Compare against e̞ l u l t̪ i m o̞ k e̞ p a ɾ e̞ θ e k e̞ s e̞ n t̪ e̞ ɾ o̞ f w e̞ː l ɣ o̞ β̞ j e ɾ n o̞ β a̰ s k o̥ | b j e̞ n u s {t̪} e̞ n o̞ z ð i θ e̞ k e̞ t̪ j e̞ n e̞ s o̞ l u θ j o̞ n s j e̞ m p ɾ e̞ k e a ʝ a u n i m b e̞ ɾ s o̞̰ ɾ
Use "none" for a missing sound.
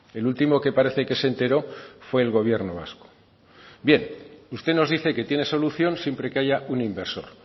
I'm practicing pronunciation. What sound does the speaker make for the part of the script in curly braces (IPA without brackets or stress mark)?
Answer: t̪